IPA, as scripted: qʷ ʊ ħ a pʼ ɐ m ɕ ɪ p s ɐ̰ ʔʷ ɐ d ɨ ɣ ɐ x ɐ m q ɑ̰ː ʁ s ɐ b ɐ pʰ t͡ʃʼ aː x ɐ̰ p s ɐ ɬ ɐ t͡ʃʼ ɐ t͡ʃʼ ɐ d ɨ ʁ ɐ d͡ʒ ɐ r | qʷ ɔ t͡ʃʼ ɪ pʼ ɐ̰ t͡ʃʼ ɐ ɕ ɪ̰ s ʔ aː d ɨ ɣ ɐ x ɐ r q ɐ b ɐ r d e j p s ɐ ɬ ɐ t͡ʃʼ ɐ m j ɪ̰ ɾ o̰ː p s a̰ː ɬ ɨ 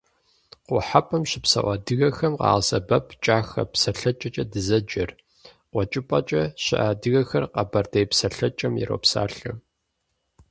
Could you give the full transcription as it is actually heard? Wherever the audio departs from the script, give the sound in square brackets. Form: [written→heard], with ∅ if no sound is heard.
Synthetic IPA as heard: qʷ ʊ ħ a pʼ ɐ m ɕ ɪ p s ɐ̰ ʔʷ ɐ d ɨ ɣ ɐ x ɐ m q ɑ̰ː ʁ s ɐ b ɐ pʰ t͡ʃʼ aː x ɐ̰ p s ɐ ɬ ɐ t͡ʃʼ ɐ t͡ʃʼ ɐ d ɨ [ʁ→z] ɐ d͡ʒ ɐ r | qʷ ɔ t͡ʃʼ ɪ pʼ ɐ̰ t͡ʃʼ ɐ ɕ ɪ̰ [s→∅] ʔ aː d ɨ ɣ ɐ x ɐ r q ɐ b ɐ r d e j p s ɐ ɬ ɐ t͡ʃʼ ɐ m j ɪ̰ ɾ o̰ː p s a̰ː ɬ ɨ